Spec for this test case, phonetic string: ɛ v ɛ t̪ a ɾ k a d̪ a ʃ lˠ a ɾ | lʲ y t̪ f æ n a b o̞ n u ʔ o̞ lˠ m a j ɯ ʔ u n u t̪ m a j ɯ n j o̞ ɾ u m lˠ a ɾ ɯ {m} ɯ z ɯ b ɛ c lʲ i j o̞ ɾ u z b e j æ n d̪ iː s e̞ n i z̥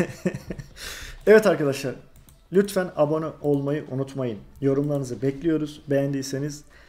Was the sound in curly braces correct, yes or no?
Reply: no